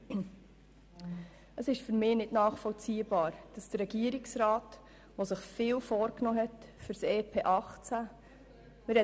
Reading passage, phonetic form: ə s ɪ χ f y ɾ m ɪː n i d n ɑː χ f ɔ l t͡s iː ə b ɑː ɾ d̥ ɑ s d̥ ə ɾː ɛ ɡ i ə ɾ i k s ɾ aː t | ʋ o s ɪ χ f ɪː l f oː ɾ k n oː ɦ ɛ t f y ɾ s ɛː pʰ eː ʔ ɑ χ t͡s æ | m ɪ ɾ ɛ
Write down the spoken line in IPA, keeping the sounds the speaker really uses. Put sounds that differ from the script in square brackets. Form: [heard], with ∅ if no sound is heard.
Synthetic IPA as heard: ə s ɪ [ʃ] f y ɾ m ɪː n [ɪ] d n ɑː χ f ɔ l t͡s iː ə b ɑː ɾ d̥ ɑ s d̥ ə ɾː ɛ ɡ i ə ɾ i k s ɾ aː t | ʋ o s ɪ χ f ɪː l f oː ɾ k n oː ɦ ɛ t f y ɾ s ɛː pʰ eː ʔ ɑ χ t͡s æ | m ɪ ɾ ɛ